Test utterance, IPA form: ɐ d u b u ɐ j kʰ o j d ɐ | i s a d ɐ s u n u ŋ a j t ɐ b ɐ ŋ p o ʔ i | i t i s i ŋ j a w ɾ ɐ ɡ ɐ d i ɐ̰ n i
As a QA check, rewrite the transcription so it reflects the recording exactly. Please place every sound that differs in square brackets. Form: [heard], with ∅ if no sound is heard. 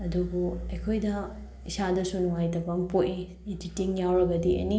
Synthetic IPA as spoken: ɐ d u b u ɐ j kʰ o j d ɐ | i s a d ɐ s u n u ŋ a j t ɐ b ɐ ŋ p o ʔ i | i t i [t] i ŋ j a w ɾ ɐ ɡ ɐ d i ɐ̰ n i